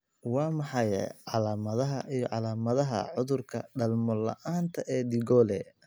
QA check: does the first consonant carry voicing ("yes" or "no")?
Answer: yes